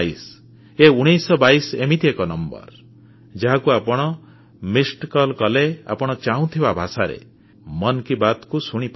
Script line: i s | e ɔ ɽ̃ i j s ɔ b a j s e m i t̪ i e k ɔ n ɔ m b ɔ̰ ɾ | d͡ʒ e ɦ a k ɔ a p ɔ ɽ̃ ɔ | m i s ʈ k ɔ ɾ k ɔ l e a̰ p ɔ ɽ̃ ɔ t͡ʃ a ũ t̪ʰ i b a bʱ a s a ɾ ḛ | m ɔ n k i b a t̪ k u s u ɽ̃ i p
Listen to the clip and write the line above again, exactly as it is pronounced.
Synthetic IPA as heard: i s | e u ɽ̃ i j s ɔ b a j s e m i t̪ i e k ɔ n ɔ m b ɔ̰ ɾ | d͡ʒ a ɦ a k u a p ɔ ɽ̃ ɔ | m i s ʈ k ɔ l k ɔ l e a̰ p ɔ ɽ̃ ɔ t͡ʃ a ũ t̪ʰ i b a bʱ a s a ɾ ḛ | m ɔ n k i b a t̪ k u s u ɽ̃ i p